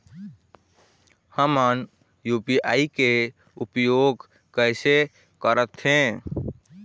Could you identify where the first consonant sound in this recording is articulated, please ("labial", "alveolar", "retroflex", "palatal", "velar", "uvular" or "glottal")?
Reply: glottal